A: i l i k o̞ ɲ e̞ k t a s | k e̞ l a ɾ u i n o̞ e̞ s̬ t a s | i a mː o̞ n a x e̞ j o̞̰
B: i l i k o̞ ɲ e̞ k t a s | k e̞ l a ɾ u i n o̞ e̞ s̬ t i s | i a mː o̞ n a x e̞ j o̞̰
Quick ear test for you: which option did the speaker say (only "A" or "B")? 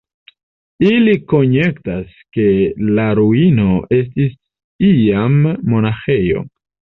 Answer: B